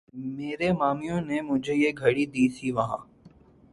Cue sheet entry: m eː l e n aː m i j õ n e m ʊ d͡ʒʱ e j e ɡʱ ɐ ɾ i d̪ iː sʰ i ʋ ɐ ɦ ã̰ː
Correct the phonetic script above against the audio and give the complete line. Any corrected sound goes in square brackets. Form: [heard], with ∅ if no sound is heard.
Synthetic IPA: m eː [ɾ] e [m] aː m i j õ n e m ʊ d͡ʒʱ e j e ɡʱ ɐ [ɽ] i d̪ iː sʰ i ʋ ɐ ɦ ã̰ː